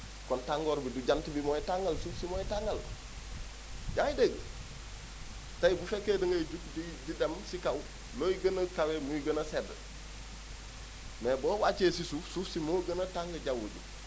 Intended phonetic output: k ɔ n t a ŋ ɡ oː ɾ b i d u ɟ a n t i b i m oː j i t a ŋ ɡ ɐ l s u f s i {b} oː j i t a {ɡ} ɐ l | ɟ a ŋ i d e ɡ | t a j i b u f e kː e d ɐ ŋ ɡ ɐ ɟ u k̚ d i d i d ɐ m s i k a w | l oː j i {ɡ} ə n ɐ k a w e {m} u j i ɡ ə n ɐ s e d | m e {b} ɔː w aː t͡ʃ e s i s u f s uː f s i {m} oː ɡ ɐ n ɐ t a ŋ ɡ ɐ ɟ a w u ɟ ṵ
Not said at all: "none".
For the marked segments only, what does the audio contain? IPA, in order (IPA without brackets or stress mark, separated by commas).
m, ŋ, ɡ, m, b, m